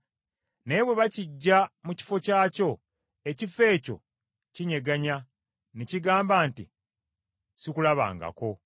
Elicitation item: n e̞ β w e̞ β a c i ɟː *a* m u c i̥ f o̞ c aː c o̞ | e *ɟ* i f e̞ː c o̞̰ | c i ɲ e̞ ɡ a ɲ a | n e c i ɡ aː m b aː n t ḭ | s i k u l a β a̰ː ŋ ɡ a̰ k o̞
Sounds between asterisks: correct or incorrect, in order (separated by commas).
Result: correct, incorrect